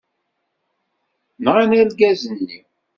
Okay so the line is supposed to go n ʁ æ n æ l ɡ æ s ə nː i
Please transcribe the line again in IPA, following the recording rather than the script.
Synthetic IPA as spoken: n ʁ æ n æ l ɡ æ z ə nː i